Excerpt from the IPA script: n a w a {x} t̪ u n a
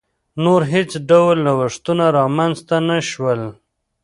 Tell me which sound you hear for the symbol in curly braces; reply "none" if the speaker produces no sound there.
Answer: ʂ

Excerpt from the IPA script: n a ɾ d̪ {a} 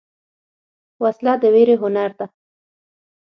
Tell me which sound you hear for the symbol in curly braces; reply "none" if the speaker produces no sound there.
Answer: a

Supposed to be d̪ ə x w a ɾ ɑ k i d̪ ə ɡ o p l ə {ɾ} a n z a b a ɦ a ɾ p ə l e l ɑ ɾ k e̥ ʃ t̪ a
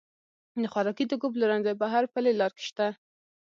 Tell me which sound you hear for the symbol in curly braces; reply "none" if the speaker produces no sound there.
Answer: ɾ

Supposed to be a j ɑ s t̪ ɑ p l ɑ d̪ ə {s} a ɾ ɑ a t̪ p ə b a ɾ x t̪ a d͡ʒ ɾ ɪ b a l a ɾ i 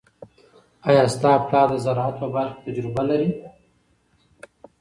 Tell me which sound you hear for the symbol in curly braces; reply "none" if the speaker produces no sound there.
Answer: z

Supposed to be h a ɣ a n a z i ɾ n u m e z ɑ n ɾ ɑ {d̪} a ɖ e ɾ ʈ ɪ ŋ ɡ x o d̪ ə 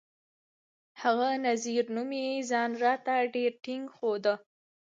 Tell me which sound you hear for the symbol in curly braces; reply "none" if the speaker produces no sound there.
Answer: t̪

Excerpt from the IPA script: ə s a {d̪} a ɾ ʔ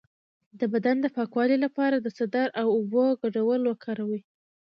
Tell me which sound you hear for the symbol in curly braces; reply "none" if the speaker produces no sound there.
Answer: d̪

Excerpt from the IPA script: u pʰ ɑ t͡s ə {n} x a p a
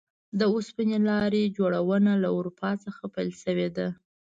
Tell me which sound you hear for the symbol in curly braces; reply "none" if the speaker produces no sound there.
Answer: none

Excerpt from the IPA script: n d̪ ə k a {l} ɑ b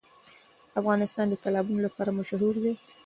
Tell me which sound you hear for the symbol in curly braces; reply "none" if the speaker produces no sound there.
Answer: l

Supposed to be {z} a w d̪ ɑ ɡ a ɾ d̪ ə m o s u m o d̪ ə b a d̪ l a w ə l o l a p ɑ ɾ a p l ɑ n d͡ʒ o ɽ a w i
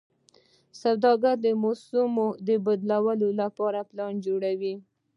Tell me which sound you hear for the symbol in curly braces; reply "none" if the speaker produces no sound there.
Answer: s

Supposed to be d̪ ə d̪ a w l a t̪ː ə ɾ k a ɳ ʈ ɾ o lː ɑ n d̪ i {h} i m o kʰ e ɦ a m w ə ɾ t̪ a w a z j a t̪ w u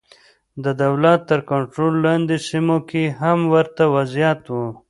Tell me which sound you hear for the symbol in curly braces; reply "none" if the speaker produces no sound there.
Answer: s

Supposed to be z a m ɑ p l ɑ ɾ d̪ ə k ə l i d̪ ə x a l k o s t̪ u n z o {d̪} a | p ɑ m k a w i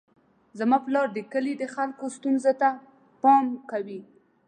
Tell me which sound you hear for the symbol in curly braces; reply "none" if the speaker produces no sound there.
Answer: t̪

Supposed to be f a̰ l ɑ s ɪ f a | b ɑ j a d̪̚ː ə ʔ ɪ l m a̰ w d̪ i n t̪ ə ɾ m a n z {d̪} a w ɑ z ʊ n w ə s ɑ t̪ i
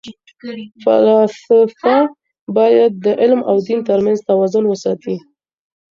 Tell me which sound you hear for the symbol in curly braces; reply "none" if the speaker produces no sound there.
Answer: t̪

